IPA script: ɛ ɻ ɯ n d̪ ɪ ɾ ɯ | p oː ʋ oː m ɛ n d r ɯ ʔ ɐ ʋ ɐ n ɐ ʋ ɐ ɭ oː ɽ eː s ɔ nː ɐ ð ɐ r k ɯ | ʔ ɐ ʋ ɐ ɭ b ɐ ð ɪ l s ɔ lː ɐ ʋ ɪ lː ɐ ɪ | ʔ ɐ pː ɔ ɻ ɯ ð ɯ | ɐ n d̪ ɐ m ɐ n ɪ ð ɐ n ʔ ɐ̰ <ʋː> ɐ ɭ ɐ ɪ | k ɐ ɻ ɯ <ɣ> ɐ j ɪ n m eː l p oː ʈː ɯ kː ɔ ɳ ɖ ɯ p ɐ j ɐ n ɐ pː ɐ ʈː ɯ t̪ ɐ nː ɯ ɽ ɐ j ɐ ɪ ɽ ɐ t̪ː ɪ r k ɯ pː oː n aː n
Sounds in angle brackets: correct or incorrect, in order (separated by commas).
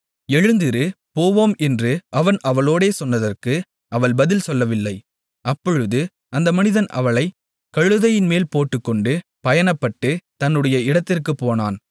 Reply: incorrect, incorrect